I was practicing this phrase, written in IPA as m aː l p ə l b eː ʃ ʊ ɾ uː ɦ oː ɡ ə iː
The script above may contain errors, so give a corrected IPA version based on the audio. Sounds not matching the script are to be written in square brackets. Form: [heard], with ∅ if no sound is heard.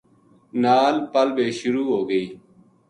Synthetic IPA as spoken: [n] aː l p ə l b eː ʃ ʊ ɾ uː ɦ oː ɡ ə iː